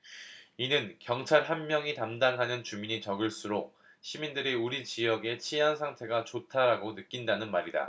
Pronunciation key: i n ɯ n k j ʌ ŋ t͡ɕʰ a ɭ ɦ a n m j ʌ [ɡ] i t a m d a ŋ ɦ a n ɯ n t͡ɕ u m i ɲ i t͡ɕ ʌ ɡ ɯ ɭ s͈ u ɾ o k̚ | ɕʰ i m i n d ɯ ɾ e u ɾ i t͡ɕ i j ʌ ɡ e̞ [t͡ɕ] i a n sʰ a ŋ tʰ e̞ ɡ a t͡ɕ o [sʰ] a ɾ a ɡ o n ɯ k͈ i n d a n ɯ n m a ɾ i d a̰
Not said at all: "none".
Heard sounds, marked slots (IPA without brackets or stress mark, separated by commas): ŋ, t͡ɕʰ, tʰ